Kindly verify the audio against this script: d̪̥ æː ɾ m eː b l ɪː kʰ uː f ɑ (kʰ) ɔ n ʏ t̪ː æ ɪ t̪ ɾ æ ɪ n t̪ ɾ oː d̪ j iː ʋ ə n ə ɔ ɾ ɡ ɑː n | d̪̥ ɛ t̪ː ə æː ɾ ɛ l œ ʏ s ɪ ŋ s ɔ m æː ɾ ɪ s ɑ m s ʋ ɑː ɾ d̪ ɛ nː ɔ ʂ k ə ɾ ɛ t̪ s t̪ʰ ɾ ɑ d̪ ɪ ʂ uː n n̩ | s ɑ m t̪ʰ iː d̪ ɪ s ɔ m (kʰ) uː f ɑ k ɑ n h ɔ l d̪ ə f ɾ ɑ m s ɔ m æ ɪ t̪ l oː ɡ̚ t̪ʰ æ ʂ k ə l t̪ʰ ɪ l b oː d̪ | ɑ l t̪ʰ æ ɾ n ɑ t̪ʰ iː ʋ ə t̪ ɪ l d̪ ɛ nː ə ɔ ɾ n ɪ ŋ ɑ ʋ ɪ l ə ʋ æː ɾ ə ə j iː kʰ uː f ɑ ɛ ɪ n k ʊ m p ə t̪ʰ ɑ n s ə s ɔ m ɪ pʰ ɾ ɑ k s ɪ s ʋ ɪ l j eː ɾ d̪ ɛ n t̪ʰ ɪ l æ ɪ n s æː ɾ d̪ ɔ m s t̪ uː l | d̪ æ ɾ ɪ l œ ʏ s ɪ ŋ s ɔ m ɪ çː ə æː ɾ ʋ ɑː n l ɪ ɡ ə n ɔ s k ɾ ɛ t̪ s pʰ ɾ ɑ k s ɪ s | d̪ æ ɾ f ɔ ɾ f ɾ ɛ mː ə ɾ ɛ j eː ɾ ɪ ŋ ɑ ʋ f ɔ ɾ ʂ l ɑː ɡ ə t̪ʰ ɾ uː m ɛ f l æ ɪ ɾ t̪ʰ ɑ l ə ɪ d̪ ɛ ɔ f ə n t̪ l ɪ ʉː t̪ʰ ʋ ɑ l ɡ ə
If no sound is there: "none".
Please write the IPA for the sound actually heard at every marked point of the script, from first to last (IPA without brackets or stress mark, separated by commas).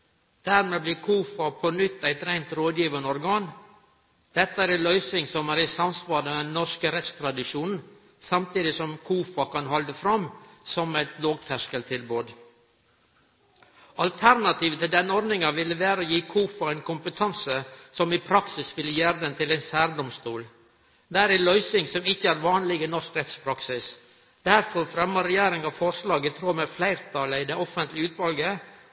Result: pʰ, kʰ